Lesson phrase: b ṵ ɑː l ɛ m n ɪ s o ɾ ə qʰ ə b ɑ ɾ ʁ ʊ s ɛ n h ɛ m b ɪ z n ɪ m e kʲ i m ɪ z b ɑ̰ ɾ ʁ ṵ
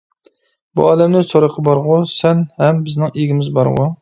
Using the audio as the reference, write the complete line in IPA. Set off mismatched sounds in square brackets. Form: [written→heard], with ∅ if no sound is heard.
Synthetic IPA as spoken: b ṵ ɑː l ɛ m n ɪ s o ɾ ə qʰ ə b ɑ ɾ ʁ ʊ s ɛ n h ɛ m b ɪ z n ɪ [m→ŋ] e [kʲ→ɡʲ] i m ɪ z b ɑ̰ ɾ ʁ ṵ

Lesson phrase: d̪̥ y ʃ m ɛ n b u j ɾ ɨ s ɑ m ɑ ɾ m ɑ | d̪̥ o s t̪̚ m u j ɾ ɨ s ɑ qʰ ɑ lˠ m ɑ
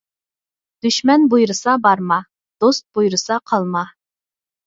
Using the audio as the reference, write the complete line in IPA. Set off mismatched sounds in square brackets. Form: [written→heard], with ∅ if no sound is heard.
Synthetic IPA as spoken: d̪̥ y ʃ m ɛ n b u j ɾ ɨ s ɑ [m→b] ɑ ɾ m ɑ | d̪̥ o s t̪̚ [m→b] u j ɾ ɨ s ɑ qʰ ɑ lˠ m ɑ

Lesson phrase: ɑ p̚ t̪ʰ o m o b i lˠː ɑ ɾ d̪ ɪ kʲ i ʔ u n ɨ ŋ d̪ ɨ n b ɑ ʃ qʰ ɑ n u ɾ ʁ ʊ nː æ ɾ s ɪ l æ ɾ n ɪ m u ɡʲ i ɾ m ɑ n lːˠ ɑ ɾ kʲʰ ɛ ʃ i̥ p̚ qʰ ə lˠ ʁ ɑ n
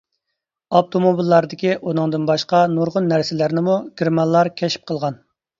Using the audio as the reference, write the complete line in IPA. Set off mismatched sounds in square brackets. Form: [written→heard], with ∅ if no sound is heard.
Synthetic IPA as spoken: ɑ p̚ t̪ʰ o m o b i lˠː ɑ ɾ d̪ ɪ kʲ i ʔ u n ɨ ŋ d̪ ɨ n b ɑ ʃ [qʰ→q] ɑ n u ɾ ʁ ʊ nː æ ɾ s ɪ l æ ɾ n ɪ m u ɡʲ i ɾ m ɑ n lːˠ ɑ ɾ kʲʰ ɛ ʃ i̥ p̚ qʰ ə lˠ ʁ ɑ n

